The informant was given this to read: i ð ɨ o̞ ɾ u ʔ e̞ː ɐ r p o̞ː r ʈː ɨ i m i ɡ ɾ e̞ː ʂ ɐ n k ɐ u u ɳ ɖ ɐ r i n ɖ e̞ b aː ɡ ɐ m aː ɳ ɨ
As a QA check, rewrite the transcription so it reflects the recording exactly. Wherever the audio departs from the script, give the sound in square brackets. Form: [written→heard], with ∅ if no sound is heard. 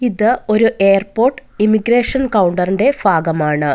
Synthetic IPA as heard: i ð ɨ o̞ ɾ u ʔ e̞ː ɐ r p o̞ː r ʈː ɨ i m i ɡ ɾ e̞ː ʂ ɐ n k ɐ [u→w] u ɳ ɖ ɐ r i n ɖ e̞ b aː ɡ ɐ m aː ɳ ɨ